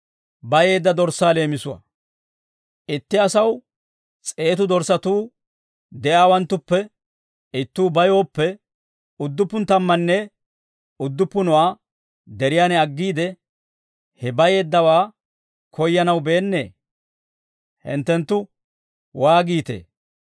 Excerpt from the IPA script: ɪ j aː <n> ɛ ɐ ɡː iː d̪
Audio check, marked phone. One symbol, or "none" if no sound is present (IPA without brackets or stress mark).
n